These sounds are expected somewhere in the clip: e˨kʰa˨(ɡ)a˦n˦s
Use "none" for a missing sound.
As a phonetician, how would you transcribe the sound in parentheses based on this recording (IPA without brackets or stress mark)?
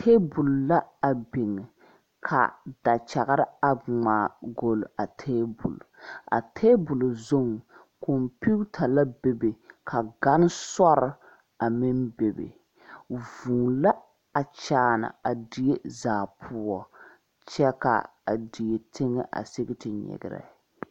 ɡ